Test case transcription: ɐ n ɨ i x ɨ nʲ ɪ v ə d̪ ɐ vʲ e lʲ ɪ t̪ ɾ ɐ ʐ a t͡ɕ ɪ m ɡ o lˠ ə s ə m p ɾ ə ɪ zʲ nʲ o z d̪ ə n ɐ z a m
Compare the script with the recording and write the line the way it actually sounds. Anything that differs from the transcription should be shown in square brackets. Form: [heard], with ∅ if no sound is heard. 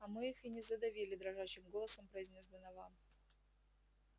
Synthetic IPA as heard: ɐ [m] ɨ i x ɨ nʲ ɪ [z] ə d̪ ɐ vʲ [i] lʲ ɪ [d̪] ɾ ɐ ʐ a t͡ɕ ɪ m ɡ o lˠ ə s ə m p ɾ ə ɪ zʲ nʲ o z d̪ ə n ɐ [v] a m

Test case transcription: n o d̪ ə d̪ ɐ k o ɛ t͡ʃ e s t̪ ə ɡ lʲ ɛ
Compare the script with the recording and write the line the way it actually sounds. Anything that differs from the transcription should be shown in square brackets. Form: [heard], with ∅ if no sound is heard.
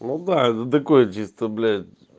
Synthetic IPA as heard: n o d̪ [a] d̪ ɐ k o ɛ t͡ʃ [i] s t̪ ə [b] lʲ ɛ

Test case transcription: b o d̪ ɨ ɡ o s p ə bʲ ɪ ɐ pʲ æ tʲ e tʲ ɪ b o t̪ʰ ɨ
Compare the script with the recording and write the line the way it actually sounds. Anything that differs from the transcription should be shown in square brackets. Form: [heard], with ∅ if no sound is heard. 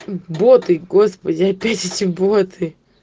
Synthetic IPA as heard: b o [t̪] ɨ ɡ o s p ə [dʲ] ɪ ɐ pʲ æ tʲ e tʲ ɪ b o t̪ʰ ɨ

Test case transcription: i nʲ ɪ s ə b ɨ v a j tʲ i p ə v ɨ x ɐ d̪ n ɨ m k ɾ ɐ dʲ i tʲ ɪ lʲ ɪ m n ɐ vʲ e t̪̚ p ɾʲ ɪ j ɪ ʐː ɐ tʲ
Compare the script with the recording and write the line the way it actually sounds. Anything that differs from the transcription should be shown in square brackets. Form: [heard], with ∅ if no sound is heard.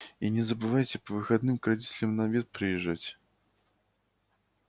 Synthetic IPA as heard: i nʲ ɪ [z] ə b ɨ v a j tʲ [ɪ] p ə v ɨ x ɐ d̪ n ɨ m k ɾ ɐ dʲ i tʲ ɪ lʲ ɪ m n ɐ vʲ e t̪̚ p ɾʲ ɪ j ɪ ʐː [a] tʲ

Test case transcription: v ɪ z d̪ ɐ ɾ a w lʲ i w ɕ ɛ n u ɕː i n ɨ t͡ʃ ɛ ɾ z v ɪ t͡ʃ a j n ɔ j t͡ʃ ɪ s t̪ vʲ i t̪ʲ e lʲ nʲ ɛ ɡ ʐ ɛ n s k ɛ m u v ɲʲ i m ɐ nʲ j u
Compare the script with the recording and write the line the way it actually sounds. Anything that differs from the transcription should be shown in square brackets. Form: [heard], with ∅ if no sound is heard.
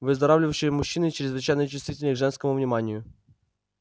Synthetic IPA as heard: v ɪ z d̪ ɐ ɾ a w lʲ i w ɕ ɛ [m] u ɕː i n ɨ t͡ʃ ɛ ɾ z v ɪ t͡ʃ a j n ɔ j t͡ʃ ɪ s t̪ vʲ i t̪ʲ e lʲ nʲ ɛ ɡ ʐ ɛ n s k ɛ m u v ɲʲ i m [a] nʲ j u

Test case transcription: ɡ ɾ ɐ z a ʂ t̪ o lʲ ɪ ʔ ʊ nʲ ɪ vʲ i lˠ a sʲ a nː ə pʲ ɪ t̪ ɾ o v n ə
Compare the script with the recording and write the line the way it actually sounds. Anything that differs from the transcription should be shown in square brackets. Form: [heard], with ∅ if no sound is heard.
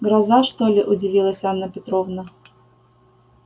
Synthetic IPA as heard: ɡ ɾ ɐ z a ʂ t̪ o lʲ ɪ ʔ ʊ [dʲ] ɪ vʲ i lˠ [ə] sʲ a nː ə pʲ ɪ t̪ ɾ o v n ə

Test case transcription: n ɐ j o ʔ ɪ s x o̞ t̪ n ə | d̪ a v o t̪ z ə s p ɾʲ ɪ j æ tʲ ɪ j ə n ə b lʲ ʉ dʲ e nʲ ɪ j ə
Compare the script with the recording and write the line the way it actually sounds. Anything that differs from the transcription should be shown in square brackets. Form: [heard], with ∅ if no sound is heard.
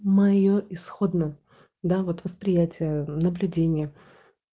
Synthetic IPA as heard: [m] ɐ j o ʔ ɪ s x o̞ [d̪] n ə | d̪ a v o t̪ [v] ə s p ɾʲ ɪ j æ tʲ ɪ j ə n ə b lʲ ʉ dʲ e nʲ ɪ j ə

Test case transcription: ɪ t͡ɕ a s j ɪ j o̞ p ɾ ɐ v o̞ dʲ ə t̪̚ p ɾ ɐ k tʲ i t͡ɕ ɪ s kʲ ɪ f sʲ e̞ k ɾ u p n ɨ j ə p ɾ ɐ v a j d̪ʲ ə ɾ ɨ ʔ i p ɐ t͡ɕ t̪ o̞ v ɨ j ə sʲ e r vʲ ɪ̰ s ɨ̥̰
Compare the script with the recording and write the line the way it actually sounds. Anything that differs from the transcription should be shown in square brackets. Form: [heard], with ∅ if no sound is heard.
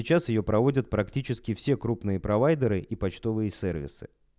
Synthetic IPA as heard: ɪ t͡ɕ a s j ɪ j o̞ p ɾ ɐ v o̞ dʲ ə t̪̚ p ɾ ɐ k tʲ i t͡ɕ ɪ s kʲ ɪ f sʲ e̞ k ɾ u p n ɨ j ə p ɾ ɐ v a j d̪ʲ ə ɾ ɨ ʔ i p ɐ t͡ɕ t̪ o̞ v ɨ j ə sʲ e r vʲ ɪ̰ s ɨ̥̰

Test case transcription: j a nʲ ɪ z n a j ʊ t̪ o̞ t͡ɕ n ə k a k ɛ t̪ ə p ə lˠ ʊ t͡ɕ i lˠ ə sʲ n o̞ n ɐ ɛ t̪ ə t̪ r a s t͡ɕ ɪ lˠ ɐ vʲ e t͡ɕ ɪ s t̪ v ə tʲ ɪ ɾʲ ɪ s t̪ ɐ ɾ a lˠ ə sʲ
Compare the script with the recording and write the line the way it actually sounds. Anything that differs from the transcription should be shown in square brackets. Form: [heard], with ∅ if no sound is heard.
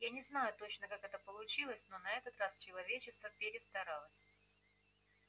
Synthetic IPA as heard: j a nʲ ɪ z n a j ʊ t̪ o̞ t͡ɕ n ə k a k ɛ t̪ ə p ə lˠ ʊ t͡ɕ i lˠ ə sʲ n o̞ n ɐ ɛ t̪ ə t̪ r a s t͡ɕ ɪ lˠ ɐ vʲ e t͡ɕ ɪ s t̪ v ə [pʲ] ɪ ɾʲ ɪ s t̪ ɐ ɾ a lˠ ə sʲ

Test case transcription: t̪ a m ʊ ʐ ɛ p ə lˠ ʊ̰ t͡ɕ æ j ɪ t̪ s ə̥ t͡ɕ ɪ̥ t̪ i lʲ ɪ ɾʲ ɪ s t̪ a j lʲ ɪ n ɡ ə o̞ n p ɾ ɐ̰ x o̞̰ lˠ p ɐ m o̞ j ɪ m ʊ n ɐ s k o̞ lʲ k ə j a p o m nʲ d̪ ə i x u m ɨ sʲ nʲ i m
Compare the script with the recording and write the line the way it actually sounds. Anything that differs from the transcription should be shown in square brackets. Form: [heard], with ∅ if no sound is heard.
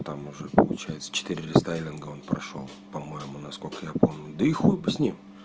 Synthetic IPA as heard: t̪ a m ʊ ʐ ɛ p ə lˠ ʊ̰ t͡ɕ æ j ɪ t̪ s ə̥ t͡ɕ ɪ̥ t̪ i [ɾʲ] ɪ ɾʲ ɪ s t̪ a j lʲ ɪ n ɡ ə o̞ n p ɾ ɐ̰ [ʂ] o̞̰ lˠ p ɐ m o̞ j ɪ m ʊ n ɐ s k o̞ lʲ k ə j a p o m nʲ d̪ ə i x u [b] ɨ sʲ nʲ i m

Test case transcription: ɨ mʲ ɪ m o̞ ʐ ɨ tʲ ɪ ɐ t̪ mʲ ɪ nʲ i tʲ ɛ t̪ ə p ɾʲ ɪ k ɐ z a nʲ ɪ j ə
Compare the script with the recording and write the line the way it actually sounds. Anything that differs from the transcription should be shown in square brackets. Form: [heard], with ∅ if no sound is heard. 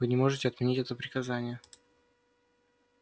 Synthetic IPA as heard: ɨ [nʲ] ɪ m o̞ ʐ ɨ tʲ ɪ ɐ t̪ mʲ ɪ nʲ i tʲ ɛ t̪ ə p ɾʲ ɪ k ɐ z a nʲ ɪ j ə

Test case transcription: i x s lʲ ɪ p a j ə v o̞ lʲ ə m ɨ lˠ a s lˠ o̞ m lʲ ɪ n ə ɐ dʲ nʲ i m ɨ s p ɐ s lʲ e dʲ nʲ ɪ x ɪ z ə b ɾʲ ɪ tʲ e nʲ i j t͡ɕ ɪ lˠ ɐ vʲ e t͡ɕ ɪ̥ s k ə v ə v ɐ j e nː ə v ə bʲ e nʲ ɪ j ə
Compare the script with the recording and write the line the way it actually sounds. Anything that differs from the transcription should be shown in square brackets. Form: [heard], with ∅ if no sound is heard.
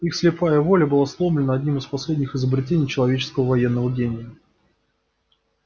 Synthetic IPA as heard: i x s lʲ ɪ p a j ə v o̞ lʲ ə [b] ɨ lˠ a s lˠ o̞ m lʲ ɪ n ə ɐ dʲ nʲ i m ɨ s p ɐ s lʲ e dʲ nʲ ɪ x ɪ z ə b ɾʲ ɪ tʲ e nʲ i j t͡ɕ ɪ lˠ ɐ vʲ e t͡ɕ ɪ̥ s k ə v ə v ɐ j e nː ə v ə [ɡʲ] e nʲ ɪ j ə

